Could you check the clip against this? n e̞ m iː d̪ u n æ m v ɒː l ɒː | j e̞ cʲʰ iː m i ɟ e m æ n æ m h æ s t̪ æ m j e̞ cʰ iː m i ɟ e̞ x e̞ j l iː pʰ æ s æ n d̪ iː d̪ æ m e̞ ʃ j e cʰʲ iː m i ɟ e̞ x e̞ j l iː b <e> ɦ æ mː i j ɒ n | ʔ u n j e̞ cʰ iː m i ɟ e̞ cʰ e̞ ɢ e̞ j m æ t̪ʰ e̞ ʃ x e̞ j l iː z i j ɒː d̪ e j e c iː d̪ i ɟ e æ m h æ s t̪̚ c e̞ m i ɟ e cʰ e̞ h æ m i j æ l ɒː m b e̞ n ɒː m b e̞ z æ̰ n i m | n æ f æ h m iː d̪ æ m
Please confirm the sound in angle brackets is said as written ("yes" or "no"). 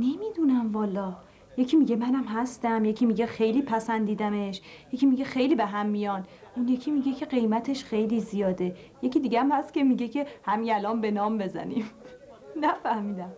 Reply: yes